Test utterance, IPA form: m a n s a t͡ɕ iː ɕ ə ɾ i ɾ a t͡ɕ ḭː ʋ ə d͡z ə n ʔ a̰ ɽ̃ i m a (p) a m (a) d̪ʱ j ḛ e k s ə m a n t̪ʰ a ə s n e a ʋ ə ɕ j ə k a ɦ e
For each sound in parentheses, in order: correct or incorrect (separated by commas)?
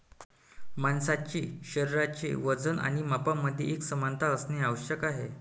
correct, incorrect